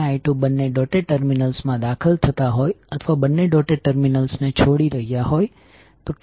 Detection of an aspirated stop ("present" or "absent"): present